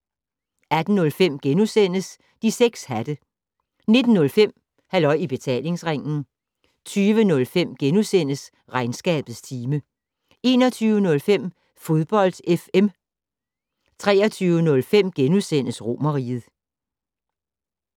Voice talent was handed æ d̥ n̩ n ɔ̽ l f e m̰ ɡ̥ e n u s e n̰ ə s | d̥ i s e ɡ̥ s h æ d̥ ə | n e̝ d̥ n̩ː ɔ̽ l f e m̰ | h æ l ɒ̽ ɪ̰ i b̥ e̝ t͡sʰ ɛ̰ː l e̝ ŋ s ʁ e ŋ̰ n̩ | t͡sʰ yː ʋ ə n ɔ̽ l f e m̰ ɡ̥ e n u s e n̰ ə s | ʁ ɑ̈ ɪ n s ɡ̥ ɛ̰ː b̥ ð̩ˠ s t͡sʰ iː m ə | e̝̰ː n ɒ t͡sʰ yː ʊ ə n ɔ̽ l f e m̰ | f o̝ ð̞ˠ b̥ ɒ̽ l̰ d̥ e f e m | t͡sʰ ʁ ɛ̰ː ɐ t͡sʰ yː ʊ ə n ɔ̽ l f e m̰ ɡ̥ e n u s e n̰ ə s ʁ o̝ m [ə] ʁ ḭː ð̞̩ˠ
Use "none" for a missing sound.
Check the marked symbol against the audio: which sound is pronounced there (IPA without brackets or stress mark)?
ɐ